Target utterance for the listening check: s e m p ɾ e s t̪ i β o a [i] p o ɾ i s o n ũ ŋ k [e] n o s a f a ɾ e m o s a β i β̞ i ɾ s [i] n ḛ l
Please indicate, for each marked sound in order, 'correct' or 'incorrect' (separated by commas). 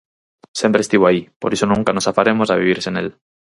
correct, incorrect, incorrect